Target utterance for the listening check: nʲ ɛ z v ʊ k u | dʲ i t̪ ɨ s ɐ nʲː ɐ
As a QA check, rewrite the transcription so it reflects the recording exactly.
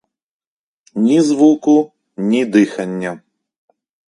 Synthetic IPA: nʲ i z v u k u | nʲ i d̪ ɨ x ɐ nʲː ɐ

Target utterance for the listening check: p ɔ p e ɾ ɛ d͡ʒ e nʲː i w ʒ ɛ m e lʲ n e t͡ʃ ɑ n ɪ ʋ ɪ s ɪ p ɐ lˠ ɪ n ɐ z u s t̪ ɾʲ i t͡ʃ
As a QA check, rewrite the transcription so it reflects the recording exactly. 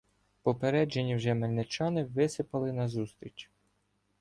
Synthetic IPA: p ɔ p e ɾ ɛ d͡ʒ e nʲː i w ʒ ɛ m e lʲ n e t͡ʃ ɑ n ɪ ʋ ɪ s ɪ p ɐ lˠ ɪ n ɐ z u s t̪ ɾʲ i t͡ʃ

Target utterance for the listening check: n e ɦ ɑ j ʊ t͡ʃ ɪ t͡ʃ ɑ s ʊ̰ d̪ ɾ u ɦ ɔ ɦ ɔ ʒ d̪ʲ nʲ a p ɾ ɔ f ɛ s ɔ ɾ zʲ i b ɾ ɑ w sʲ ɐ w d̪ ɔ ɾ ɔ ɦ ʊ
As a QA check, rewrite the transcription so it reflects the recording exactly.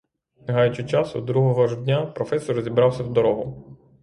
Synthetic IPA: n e ɦ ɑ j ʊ t͡ʃ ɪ t͡ʃ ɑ s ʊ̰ d̪ ɾ u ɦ ɔ ɦ ɔ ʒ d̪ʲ nʲ a p ɾ ɔ f ɛ s ɔ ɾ zʲ i b ɾ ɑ w sʲ ɐ w d̪ ɔ ɾ ɔ ɦ ʊ

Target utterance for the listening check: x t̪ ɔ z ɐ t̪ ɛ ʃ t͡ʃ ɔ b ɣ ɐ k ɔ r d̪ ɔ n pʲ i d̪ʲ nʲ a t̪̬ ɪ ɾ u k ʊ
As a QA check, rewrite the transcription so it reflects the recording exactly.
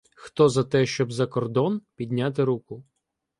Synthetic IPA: x t̪ ɔ z ɐ t̪ ɛ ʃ t͡ʃ ɔ b z ɐ k ɔ r d̪ ɔ n pʲ i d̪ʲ nʲ a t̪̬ ɪ ɾ u k ʊ

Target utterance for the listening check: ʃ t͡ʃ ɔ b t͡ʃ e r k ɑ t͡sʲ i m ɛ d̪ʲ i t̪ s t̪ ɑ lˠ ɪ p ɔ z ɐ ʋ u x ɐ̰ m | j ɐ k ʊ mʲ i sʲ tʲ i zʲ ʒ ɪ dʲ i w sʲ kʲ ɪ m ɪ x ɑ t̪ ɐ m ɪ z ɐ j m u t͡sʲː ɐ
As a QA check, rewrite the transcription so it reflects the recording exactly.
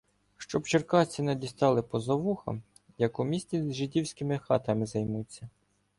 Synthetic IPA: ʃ t͡ʃ ɔ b t͡ʃ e r k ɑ t͡sʲ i n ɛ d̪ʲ i s t̪ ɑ lˠ ɪ p ɔ z ɐ ʋ u x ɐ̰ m | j ɐ k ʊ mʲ i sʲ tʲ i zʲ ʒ ɪ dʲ i w sʲ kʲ ɪ m ɪ x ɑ t̪ ɐ m ɪ z ɐ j m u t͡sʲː ɐ

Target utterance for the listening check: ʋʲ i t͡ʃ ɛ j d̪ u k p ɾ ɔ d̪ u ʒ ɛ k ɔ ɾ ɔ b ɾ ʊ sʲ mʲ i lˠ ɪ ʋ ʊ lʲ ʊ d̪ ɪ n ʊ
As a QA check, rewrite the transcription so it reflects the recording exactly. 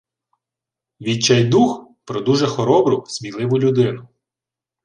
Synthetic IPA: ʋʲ i t͡ʃ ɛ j d̪ u x p ɾ ɔ d̪ u ʒ ɛ x ɔ ɾ ɔ b ɾ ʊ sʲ mʲ i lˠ ɪ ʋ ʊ lʲ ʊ d̪ ɪ n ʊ

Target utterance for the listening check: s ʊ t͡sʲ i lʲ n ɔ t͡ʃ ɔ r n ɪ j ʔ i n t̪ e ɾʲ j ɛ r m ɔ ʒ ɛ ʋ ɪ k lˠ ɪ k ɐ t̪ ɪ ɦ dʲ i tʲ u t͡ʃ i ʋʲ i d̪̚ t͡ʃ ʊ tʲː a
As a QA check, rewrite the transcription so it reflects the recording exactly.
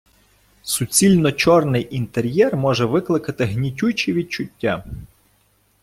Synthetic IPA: s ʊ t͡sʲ i lʲ n ɔ t͡ʃ ɔ r n ɪ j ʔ i n t̪ e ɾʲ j ɛ r m ɔ ʒ ɛ ʋ ɪ k lˠ ɪ k ɐ t̪ ɪ ɦ nʲ i tʲ u t͡ʃ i ʋʲ i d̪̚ t͡ʃ ʊ tʲː a

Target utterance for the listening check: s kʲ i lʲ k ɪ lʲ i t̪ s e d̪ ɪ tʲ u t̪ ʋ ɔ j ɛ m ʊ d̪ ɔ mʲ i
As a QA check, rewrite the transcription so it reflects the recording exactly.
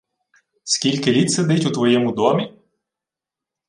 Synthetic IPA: s kʲ i lʲ k ɪ lʲ i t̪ s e d̪ ɪ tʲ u t̪ ʋ ɔ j ɛ m ʊ d̪ ɔ mʲ i

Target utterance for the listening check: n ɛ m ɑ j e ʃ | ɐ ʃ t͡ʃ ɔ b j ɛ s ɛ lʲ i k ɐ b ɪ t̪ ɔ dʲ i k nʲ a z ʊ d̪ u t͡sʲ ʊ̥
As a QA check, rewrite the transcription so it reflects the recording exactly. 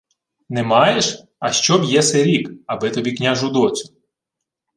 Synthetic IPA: n ɛ m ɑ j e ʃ | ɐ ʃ t͡ʃ ɔ b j ɛ s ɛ ɾʲ i k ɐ b ɪ t̪ ɔ bʲ i k nʲ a ʒ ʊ d̪ ɔ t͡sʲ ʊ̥

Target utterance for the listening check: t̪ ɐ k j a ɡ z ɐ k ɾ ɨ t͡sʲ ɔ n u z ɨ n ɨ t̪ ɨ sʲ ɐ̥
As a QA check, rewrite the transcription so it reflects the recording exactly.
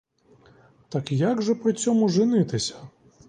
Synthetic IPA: t̪ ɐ k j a ɡ ʐ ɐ p ɾ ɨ t͡sʲ ɔ m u ʐ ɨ n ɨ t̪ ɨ sʲ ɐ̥

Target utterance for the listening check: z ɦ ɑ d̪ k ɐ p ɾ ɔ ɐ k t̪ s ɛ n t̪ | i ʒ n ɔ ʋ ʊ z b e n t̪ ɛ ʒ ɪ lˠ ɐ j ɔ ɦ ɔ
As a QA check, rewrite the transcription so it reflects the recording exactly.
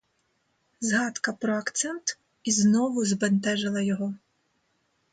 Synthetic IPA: z ɦ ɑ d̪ k ɐ p ɾ ɔ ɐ k t̪ s ɛ n t̪ | i z n ɔ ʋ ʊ z b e n t̪ ɛ ʒ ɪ lˠ ɐ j ɔ ɦ ɔ

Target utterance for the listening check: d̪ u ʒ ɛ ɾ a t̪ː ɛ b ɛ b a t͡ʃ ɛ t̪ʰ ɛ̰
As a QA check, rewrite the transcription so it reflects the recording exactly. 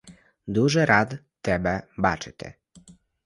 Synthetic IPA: d̪ u ʒ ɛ ɾ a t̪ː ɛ b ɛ b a t͡ʃ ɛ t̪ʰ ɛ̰

